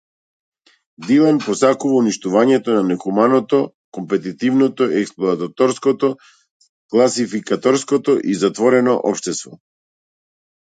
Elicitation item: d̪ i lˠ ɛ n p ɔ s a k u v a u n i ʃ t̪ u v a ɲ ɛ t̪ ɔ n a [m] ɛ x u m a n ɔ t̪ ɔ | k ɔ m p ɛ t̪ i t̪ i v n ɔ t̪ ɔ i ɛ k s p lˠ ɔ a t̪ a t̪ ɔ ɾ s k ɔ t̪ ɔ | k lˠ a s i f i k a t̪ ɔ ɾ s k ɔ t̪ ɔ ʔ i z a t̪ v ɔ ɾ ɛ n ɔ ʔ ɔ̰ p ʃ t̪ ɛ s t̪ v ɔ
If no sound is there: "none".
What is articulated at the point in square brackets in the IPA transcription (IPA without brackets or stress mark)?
n